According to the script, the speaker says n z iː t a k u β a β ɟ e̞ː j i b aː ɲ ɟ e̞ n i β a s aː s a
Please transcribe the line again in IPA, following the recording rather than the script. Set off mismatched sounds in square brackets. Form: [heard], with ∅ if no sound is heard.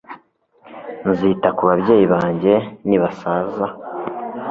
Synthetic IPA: n z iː t a k u β a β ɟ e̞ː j i [β] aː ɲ ɟ e̞ n i β a s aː [z] a